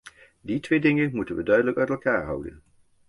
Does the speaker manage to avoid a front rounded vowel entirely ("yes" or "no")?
no